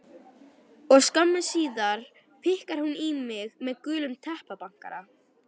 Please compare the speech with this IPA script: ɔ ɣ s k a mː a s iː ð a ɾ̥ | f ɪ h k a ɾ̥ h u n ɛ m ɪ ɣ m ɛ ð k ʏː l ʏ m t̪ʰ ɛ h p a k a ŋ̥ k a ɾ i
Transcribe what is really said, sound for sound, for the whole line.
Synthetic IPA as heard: ɔ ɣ s k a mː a s iː ð a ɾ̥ | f ɪ h k a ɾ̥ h u n i m ɪ ɣ m ɛ ð k ʏː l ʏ m t̪ʰ ɛ h p a p a ŋ̥ k a ɾ a